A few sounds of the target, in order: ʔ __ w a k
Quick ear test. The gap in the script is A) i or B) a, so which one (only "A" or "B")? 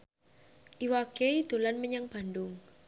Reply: A